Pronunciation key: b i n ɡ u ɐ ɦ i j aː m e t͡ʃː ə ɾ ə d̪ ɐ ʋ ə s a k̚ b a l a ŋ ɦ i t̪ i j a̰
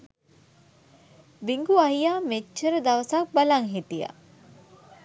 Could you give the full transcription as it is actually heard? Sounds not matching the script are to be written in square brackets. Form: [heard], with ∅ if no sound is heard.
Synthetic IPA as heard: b i [ŋ] ɡ u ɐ ɦ i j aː m e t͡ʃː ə ɾ ə d̪ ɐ ʋ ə s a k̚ b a l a ŋ ɦ i t̪ i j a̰